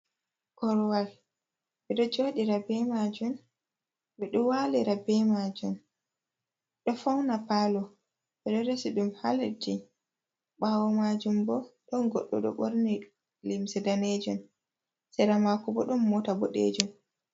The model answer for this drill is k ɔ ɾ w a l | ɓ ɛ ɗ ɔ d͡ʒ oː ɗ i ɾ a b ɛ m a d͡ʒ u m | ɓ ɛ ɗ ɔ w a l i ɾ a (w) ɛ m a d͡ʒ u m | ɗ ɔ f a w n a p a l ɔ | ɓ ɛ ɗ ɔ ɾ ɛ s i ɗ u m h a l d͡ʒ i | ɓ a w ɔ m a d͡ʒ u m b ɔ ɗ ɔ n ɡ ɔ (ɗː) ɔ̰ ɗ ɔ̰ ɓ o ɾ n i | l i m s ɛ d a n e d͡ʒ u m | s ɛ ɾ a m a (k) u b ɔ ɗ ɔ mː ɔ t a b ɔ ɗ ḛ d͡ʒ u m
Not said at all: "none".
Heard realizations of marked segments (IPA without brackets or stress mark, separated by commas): b, ɗː, k